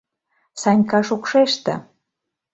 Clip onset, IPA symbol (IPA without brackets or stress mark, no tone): s